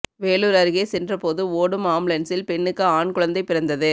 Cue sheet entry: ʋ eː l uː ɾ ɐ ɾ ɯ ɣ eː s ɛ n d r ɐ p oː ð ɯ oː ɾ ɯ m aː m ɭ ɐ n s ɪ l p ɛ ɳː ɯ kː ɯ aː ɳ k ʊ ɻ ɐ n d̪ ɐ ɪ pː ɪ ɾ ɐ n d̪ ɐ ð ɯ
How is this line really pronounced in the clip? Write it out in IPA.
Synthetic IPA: ʋ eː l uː ɾ ɐ ɾ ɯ ɣ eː s ɛ n d r ɐ p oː ð ɯ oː ɽ ɯ m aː m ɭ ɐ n s ɪ l p ɛ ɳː ɯ kː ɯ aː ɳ k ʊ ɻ ɐ n d̪ ɐ ɪ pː ɪ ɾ ɐ n d̪ ɐ ð ɯ